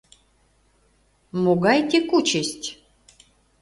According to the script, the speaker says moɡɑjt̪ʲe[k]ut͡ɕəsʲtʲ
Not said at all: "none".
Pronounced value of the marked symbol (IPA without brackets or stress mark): k